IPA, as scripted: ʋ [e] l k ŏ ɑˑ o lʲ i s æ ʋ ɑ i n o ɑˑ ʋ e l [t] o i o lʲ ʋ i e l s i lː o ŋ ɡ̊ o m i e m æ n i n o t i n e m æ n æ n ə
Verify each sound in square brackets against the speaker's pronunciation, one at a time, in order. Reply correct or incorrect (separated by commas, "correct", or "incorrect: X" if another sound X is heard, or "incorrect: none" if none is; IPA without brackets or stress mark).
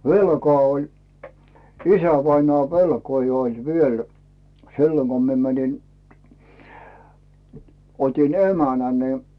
correct, incorrect: k